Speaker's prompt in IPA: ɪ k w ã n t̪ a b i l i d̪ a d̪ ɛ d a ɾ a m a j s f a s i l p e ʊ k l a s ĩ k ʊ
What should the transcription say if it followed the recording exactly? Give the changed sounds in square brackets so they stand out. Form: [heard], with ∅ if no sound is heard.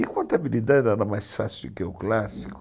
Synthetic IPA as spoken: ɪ k w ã n t̪ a b i l i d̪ a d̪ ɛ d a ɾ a m a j s f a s i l [k] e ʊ k l a s [i] k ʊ